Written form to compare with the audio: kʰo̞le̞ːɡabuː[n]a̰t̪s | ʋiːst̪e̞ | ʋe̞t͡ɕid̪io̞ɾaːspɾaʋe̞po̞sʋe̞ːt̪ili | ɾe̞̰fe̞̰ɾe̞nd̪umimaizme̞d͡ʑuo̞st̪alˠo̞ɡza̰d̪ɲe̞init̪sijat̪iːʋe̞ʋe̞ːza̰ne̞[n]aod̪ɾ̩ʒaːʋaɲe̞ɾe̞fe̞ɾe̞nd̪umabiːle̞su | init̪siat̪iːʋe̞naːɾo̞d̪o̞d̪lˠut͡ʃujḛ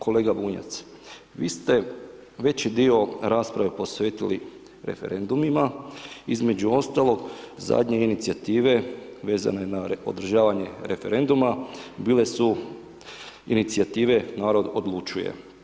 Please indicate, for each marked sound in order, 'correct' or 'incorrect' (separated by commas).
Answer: incorrect, correct